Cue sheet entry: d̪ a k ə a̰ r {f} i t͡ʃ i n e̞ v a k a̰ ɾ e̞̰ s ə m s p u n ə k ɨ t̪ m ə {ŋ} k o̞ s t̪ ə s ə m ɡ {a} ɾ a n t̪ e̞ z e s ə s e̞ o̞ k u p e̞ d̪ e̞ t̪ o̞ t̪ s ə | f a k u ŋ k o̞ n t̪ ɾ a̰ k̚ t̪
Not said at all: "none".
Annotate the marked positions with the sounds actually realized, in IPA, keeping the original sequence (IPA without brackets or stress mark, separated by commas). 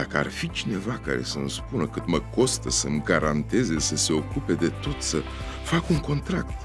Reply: f, none, a